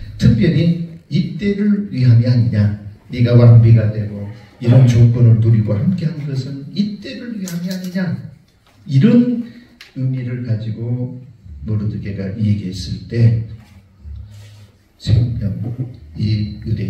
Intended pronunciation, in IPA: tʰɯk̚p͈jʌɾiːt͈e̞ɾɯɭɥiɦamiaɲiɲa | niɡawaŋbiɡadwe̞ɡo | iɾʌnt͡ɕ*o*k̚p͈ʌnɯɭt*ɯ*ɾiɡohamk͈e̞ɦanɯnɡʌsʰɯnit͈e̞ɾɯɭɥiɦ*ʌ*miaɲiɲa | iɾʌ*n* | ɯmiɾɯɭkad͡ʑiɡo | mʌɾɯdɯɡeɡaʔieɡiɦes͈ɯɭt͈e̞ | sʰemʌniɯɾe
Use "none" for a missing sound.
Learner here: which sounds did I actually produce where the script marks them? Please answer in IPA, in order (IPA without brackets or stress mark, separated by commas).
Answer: o, u, a, n